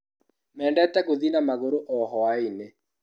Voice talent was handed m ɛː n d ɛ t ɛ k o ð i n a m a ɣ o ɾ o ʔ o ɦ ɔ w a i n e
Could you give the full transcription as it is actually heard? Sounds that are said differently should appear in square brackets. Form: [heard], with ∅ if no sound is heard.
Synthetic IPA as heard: m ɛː n d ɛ t ɛ k o ð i n a m a ɣ o ɾ o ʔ [ɔ] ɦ ɔ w a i n e